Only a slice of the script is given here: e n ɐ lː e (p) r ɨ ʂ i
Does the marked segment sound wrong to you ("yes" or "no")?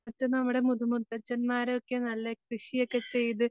yes